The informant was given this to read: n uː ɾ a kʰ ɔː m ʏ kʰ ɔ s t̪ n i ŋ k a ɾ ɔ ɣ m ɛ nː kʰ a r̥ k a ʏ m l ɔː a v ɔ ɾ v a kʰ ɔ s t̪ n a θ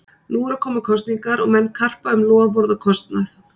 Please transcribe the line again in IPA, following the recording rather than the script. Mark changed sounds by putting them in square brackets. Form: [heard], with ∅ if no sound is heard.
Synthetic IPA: n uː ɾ a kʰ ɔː m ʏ kʰ ɔ s t̪ n i ŋ k a ɾ ɔ ɣ m ɛ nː kʰ a r̥ [p] a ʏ m l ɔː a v ɔ ɾ [ð] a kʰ ɔ s t̪ n a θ